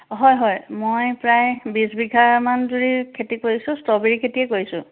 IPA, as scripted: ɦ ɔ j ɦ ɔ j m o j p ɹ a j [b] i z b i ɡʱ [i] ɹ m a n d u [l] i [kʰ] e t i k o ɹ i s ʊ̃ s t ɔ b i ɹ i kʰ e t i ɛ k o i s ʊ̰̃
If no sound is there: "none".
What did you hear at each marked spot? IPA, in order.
b, a, ɹ, kʰ

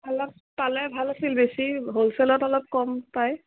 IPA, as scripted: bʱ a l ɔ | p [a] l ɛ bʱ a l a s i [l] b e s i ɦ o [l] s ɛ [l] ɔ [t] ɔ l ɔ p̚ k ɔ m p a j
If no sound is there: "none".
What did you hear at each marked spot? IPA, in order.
a, l, l, l, t

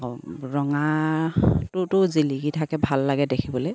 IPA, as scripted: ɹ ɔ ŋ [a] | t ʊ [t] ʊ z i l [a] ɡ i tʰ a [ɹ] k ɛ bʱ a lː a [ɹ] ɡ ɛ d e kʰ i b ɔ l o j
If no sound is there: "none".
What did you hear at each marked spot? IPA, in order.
a, t, i, none, none

